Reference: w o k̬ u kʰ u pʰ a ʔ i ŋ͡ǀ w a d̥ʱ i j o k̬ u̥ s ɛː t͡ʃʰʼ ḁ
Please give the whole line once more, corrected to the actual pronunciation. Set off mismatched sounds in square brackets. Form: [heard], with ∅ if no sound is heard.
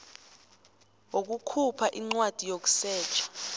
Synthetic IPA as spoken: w o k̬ u kʰ u pʰ a ʔ i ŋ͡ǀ w a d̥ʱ i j o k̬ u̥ s ɛː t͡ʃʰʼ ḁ